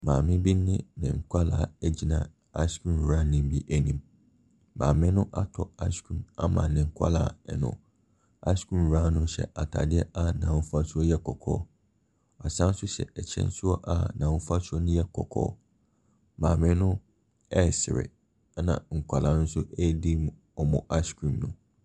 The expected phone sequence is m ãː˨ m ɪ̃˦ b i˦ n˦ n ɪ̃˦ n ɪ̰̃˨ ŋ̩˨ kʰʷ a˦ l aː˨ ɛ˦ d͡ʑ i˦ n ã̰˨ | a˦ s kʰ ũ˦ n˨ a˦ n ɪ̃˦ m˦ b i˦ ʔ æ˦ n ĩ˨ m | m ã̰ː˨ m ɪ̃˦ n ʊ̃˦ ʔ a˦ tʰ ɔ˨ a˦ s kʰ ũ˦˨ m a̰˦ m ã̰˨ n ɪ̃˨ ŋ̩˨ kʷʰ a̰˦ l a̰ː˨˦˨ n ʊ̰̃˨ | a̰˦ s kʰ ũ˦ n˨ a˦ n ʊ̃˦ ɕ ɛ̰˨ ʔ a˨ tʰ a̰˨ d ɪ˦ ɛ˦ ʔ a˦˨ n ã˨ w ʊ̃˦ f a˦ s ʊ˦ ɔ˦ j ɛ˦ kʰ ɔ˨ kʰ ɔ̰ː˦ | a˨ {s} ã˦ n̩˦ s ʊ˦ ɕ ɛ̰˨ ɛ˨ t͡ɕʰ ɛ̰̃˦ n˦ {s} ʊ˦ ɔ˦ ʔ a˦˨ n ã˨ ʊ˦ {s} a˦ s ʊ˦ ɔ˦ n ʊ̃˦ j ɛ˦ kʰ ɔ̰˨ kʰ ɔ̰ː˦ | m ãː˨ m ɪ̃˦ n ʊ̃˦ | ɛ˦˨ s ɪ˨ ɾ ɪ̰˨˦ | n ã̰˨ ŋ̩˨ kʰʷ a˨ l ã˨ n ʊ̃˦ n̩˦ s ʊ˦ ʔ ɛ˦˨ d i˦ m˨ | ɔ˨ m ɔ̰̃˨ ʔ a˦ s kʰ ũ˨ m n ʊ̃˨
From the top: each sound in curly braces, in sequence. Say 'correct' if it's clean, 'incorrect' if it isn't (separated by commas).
correct, correct, incorrect